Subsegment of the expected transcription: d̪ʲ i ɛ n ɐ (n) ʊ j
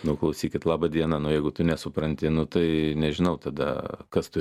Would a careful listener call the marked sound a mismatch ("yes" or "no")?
no